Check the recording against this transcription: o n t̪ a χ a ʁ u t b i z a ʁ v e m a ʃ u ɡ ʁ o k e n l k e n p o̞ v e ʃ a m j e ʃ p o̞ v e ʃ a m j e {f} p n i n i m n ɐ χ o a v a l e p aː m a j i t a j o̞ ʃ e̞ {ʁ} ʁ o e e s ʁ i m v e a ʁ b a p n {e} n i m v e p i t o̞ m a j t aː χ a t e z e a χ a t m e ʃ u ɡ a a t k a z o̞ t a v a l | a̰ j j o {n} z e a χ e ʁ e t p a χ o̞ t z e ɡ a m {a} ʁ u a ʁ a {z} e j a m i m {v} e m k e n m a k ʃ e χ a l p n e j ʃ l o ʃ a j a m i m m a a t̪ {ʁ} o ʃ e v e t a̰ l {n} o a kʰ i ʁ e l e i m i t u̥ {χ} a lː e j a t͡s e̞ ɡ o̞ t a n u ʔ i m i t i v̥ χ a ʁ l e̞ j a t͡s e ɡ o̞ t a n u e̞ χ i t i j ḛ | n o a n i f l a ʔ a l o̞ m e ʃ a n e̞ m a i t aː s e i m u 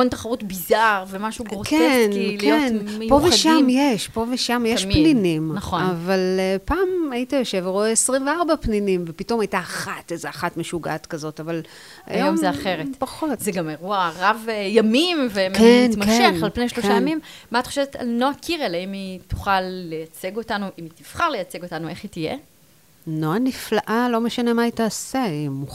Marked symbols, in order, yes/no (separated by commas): no, no, no, no, no, no, yes, no, yes, yes